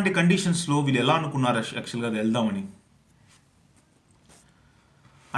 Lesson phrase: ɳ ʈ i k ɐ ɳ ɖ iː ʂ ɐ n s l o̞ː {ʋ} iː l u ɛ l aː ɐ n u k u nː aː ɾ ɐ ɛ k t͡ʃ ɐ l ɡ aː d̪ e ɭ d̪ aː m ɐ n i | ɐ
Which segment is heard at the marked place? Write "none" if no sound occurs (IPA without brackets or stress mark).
ʋ